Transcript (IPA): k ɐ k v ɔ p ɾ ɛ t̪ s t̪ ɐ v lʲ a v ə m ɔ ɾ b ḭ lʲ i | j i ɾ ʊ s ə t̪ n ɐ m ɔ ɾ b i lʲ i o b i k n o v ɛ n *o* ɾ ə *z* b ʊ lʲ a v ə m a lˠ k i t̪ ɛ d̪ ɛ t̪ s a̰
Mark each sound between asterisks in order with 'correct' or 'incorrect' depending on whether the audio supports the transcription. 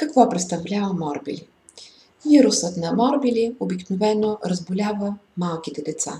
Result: correct, correct

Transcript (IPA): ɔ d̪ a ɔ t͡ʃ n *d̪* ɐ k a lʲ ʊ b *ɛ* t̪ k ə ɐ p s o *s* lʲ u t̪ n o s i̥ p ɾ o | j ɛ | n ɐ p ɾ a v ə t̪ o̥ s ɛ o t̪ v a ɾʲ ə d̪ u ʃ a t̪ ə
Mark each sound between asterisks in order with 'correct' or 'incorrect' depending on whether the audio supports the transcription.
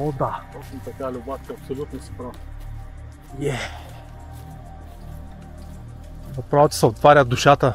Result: incorrect: t̪, incorrect: a, incorrect: none

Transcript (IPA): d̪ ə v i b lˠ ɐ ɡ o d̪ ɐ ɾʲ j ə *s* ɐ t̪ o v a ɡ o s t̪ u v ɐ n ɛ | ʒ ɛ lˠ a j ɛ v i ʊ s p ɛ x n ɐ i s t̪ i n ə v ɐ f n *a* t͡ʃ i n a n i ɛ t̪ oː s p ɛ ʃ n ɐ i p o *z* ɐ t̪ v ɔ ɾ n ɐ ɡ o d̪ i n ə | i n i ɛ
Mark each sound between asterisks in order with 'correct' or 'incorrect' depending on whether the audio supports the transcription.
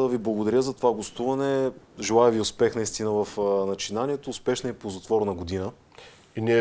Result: incorrect: z, incorrect: ɐ, correct

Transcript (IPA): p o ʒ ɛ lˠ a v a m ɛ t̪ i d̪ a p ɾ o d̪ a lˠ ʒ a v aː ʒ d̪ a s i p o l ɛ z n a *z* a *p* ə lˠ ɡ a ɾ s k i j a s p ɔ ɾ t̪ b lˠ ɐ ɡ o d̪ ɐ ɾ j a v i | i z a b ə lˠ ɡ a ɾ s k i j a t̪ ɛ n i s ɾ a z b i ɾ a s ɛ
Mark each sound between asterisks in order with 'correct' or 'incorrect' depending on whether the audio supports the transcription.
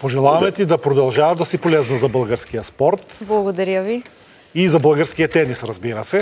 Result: correct, incorrect: b

